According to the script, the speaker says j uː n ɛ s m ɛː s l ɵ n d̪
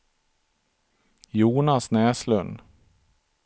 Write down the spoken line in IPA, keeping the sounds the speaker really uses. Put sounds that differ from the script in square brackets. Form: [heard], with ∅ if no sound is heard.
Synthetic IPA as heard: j uː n [a] s [n] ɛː s l ɵ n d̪